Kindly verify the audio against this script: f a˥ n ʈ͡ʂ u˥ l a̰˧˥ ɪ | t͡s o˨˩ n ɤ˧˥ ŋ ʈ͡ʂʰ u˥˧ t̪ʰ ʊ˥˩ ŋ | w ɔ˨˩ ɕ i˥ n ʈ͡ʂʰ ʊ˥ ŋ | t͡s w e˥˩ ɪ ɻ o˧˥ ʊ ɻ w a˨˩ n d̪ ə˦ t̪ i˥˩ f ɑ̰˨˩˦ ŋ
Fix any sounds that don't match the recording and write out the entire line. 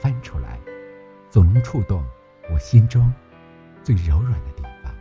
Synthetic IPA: f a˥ n ʈ͡ʂʰ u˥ l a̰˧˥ ɪ | t͡s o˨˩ n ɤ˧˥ ŋ ʈ͡ʂʰ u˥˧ t̪ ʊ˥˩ ŋ | w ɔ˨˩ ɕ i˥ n ʈ͡ʂ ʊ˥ ŋ | t͡s w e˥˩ ɪ ɻ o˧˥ ʊ ɻ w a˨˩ n d̪ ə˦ t̪ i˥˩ f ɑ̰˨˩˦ ŋ